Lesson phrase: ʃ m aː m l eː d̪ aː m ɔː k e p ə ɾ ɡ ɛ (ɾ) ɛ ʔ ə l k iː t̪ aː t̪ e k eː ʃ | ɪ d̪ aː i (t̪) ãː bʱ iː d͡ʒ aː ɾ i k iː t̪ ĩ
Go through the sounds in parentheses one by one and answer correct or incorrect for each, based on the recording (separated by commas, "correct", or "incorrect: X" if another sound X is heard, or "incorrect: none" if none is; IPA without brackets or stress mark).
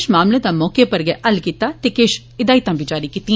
incorrect: none, correct